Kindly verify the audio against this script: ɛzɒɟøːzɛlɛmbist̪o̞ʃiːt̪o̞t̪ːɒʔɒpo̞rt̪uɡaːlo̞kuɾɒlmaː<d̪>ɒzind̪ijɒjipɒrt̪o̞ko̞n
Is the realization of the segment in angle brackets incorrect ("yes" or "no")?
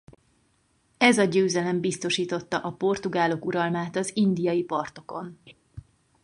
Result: yes